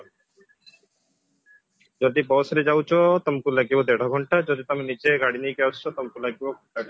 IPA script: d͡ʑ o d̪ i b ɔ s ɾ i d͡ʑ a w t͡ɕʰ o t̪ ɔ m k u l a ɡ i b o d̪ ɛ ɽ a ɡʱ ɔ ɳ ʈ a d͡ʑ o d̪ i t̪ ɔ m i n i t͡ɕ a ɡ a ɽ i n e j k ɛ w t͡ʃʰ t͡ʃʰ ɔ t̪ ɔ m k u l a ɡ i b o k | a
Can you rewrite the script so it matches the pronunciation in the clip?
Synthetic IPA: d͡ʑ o d̪ i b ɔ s ɾ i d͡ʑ a w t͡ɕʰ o t̪ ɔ m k u l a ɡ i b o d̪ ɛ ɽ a ɡʱ ɔ ɳ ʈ a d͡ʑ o d̪ i t̪ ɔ m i n i t͡ɕ e ɡ a ɽ i n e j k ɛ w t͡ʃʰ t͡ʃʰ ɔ t̪ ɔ m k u l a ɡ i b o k | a